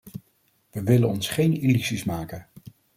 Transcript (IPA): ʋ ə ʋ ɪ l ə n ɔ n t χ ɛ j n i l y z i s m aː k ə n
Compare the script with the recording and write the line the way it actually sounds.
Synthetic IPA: ʋ ə ʋ ɪ l ə n ɔ n s χ e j n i l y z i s m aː k ə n